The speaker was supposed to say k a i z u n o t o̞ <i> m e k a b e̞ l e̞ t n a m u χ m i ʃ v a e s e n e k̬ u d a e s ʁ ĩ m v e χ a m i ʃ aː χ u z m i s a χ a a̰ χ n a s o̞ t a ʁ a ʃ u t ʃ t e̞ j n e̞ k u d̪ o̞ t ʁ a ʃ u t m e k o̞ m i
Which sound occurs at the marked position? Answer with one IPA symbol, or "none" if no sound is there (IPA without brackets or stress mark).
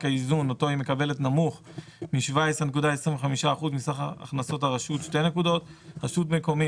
i